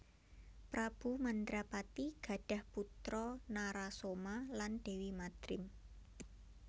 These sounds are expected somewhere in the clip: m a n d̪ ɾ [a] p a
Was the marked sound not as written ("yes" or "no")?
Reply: no